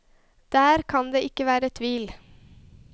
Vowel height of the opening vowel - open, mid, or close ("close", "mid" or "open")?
open